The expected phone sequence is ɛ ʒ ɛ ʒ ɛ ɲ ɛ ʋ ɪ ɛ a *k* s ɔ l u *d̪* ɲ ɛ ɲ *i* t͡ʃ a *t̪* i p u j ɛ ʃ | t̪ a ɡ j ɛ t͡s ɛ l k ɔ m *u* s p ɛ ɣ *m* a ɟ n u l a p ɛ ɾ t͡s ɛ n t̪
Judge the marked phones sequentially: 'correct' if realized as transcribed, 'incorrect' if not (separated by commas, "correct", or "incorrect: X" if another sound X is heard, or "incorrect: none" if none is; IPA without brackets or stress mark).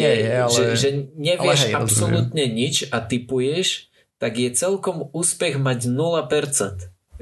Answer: incorrect: p, incorrect: t̪, correct, correct, incorrect: uː, correct